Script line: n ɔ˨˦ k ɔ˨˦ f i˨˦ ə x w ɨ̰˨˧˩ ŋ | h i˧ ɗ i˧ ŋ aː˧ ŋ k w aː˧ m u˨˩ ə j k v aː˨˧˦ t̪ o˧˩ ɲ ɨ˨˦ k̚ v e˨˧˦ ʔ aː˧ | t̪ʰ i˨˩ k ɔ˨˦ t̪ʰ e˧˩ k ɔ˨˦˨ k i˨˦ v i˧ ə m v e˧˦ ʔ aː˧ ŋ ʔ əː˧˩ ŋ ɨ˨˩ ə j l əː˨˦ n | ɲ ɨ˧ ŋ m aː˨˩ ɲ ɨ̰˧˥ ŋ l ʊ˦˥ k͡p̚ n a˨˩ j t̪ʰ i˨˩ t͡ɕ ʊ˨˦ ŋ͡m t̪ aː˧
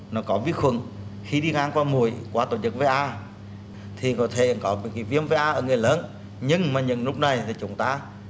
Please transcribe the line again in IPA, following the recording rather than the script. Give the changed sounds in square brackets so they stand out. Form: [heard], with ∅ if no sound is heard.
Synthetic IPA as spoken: n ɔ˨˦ k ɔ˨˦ [v] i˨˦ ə x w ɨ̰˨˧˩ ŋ | [x] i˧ ɗ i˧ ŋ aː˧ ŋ k w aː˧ m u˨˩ ə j k [w] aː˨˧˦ t̪ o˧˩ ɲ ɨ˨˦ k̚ v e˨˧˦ ʔ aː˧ | t̪ʰ i˨˩ k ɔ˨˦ t̪ʰ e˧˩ k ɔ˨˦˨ k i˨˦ v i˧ ə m v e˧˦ ʔ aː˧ [∅] ʔ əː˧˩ ŋ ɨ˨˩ ə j l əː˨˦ n | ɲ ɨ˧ ŋ m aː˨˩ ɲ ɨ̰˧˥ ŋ l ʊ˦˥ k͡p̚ n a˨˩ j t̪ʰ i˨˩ t͡ɕ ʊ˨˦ ŋ͡m t̪ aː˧